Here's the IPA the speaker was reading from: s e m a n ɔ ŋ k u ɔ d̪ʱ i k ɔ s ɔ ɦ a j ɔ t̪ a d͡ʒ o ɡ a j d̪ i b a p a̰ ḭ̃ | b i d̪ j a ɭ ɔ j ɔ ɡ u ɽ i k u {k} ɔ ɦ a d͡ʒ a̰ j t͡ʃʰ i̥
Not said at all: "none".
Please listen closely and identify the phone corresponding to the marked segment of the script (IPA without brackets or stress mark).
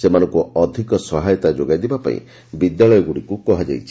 k